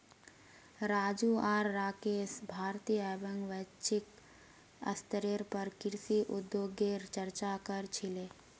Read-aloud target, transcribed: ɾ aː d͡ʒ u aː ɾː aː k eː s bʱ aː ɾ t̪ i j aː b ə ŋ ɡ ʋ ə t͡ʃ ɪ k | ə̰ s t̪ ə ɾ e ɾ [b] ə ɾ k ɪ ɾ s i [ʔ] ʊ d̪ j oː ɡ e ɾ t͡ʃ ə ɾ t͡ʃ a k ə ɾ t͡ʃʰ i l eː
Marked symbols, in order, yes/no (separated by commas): no, yes